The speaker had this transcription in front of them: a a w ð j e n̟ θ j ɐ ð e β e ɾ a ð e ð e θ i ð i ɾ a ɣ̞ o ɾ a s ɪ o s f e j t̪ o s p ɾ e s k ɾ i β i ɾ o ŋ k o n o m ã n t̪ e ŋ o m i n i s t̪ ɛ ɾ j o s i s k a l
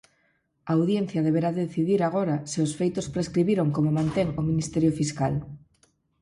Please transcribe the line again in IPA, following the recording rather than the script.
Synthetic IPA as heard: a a w ð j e n̟ θ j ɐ ð e β e ɾ a ð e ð e θ i ð i ɾ a ɣ̞ o ɾ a s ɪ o s f e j t̪ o s p ɾ e s k ɾ i β i ɾ o ŋ k o m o m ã n t̪ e ŋ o m i n i s t̪ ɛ ɾ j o f i s k a l